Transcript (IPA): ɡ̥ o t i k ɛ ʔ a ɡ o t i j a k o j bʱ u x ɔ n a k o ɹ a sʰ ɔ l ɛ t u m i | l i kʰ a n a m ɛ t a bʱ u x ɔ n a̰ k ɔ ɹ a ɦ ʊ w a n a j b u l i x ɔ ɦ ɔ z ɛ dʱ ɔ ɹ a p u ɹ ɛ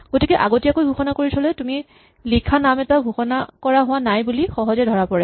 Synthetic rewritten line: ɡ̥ o t i k ɛ ʔ a ɡ o t i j a k o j bʱ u x ɔ n a k o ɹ i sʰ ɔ l ɛ t u m i | l i kʰ a n a m ɛ t a bʱ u x ɔ n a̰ k ɔ ɹ a ɦ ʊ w a n a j b u l i x ɔ ɦ ɔ z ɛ dʱ ɔ ɹ a p ɔ ɹ ɛ